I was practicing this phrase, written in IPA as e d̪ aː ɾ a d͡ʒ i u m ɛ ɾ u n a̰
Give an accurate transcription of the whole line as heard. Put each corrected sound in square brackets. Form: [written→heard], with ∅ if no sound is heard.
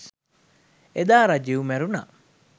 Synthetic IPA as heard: e d̪ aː ɾ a d͡ʒ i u m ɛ ɾ u n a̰